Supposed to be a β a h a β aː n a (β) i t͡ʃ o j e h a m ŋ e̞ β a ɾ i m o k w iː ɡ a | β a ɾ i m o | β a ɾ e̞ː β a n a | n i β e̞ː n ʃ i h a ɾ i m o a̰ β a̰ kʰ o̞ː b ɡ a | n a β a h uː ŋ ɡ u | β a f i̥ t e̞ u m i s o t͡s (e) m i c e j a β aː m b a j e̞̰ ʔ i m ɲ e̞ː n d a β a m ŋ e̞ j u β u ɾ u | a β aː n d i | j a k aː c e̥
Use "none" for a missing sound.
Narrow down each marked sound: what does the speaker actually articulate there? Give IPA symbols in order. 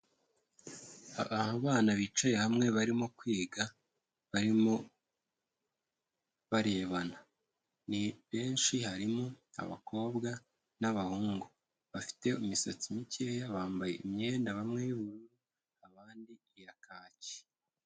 β, i

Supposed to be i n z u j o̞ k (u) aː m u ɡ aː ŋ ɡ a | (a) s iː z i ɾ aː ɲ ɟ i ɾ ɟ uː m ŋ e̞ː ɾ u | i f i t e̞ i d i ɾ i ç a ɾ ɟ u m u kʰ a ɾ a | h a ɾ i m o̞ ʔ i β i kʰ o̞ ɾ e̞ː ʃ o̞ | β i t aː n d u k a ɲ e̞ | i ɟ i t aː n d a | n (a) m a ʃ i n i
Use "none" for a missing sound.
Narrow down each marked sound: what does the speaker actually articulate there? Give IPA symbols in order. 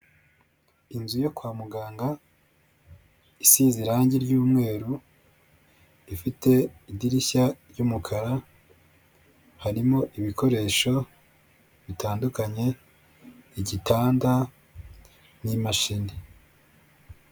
w, i, i

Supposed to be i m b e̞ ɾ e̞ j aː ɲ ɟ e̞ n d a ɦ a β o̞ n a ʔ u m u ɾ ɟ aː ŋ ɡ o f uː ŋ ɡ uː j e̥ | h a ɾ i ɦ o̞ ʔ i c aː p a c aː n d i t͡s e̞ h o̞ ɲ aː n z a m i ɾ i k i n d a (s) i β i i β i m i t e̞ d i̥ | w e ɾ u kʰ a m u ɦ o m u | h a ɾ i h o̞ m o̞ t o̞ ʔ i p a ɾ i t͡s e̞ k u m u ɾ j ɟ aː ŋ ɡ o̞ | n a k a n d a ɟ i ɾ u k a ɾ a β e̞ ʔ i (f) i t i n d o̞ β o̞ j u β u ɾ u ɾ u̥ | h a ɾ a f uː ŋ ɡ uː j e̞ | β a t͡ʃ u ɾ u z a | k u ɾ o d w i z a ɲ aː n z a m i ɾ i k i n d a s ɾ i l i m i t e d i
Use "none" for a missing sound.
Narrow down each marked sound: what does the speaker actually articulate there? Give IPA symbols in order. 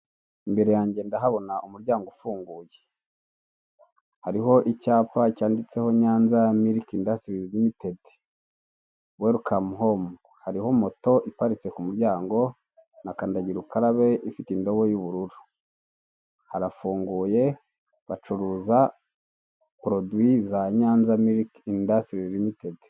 s, f

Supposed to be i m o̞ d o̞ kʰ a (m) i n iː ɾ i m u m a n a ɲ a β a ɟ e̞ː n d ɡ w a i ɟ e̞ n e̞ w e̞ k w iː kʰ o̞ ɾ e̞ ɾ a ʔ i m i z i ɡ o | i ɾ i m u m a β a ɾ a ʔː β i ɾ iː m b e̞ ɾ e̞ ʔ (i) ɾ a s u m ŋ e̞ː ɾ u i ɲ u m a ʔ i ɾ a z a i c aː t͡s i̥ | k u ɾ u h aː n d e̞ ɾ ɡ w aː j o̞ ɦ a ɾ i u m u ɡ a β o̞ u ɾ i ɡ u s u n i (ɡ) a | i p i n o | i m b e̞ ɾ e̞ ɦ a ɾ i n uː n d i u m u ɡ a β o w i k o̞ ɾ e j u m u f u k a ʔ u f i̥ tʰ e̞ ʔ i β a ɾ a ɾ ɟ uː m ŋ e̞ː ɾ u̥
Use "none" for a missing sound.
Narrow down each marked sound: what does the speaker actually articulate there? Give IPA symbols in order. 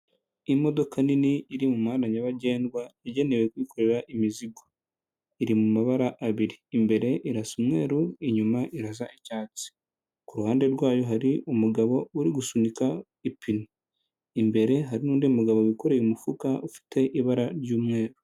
n, i, k

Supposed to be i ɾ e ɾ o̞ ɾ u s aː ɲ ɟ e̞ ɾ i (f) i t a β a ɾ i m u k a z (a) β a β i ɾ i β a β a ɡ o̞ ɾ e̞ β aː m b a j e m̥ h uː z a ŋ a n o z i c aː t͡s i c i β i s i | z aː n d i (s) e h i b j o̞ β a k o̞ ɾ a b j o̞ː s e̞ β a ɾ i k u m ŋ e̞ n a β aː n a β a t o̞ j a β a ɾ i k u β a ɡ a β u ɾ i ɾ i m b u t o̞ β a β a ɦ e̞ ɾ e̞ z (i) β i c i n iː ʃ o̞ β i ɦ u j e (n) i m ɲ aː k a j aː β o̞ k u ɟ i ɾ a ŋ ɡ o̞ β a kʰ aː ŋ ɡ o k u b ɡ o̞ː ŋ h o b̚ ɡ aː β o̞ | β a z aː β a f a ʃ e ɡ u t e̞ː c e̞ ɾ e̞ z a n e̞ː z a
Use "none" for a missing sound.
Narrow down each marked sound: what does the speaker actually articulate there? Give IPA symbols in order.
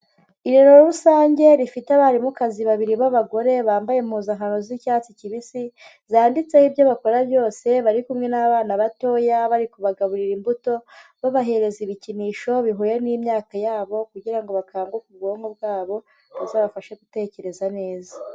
f, i, t͡s, i, n

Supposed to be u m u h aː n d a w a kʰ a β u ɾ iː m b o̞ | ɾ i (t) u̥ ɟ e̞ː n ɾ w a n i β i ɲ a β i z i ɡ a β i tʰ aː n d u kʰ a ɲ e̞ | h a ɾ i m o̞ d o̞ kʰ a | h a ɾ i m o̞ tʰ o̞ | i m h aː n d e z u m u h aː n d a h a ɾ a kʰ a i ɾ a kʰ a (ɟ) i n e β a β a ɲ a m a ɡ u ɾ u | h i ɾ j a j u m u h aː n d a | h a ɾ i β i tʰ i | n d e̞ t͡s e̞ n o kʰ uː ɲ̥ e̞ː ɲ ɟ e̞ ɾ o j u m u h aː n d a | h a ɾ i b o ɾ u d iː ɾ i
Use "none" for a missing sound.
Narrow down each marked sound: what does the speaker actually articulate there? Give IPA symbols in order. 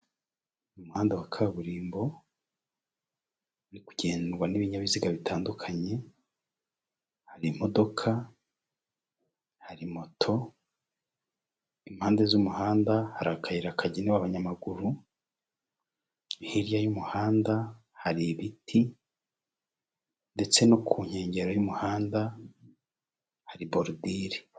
k, ɟ

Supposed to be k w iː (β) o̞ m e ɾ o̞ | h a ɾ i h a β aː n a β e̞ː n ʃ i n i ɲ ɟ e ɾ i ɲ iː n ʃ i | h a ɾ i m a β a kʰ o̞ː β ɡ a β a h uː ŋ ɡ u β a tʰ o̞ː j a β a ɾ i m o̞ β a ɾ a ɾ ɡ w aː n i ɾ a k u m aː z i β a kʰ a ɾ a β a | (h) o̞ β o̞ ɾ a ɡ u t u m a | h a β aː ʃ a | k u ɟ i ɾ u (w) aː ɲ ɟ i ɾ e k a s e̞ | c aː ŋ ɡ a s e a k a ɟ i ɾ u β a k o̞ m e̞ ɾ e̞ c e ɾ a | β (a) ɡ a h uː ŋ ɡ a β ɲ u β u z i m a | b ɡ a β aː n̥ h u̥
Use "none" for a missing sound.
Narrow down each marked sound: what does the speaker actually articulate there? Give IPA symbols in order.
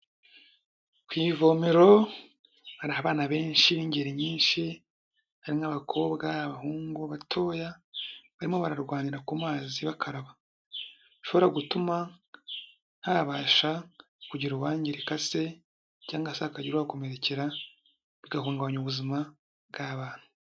v, ʃ, w, i

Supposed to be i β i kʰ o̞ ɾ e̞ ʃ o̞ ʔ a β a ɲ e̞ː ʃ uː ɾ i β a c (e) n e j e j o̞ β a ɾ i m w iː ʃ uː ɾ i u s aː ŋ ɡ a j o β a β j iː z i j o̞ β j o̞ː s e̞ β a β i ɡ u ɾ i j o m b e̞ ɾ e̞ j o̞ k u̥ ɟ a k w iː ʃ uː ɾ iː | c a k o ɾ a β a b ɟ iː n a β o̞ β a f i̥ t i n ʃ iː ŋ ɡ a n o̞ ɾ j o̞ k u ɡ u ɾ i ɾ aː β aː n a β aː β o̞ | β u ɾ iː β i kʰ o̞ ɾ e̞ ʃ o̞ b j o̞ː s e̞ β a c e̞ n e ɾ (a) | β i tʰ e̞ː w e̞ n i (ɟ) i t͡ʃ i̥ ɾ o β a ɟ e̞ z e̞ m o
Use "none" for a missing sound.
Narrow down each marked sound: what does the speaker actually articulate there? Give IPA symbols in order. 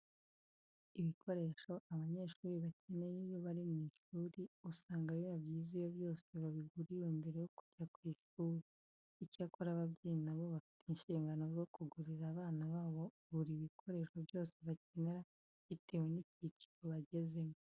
e, a, c

